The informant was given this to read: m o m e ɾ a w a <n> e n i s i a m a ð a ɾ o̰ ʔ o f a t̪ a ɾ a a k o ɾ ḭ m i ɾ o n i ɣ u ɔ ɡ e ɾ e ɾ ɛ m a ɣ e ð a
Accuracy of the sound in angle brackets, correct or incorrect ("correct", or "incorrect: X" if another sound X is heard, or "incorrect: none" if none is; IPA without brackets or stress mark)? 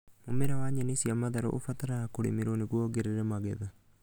incorrect: ɲ